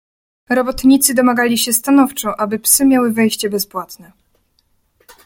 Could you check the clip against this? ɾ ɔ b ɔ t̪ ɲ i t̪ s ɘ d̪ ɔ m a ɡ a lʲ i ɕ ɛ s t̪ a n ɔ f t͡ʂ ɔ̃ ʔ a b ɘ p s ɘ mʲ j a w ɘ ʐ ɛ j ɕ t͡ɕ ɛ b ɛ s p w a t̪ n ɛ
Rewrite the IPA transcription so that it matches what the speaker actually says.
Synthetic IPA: ɾ ɔ b ɔ t̪ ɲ i t̪ s ɘ d̪ ɔ m a ɡ a lʲ i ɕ ɛ s t̪ a n ɔ f t͡ʂ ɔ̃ ʔ a b ɘ p s ɘ mʲ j a w ɘ v ɛ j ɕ t͡ɕ ɛ b ɛ s p w a t̪ n ɛ